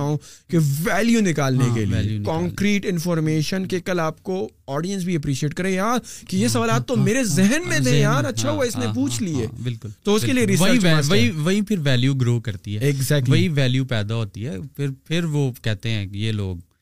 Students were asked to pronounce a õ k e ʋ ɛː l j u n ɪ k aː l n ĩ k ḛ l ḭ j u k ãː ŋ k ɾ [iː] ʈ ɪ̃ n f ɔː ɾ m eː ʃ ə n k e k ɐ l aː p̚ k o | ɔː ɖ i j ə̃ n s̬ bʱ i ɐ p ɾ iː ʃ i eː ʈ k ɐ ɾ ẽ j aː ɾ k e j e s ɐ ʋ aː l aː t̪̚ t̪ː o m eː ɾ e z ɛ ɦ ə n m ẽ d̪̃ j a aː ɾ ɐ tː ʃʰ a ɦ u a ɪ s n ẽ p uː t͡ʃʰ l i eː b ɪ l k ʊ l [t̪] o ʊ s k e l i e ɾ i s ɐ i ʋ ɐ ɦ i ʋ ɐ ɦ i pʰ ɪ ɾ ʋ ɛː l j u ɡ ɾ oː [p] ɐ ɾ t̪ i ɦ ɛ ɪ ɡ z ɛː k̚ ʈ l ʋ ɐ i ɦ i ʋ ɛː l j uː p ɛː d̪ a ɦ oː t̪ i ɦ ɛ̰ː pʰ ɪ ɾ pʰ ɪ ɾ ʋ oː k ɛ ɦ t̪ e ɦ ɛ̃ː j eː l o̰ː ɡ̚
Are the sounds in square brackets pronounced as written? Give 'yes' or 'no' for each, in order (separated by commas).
yes, yes, no